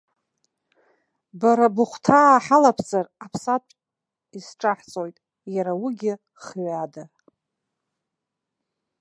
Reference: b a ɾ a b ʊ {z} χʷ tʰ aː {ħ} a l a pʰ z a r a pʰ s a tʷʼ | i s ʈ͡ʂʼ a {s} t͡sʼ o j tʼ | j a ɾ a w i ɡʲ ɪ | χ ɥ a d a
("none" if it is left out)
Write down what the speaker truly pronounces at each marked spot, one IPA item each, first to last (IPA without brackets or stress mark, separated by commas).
none, ħ, ħ